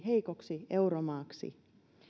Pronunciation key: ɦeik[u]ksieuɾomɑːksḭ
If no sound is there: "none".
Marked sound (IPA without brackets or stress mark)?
o